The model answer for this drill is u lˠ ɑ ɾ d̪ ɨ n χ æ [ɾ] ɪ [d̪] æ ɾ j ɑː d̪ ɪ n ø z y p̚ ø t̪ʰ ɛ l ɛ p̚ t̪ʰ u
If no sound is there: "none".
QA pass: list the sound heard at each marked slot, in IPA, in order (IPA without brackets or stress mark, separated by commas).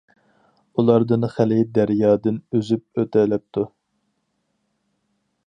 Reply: l, d̪